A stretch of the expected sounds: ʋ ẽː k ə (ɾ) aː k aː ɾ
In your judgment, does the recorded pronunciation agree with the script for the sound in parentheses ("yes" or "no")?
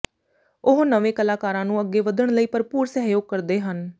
no